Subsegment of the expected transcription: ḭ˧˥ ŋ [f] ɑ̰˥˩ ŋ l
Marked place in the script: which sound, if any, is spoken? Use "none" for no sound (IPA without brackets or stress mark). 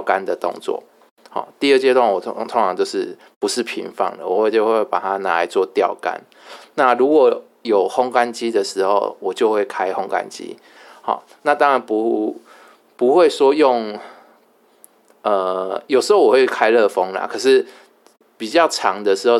f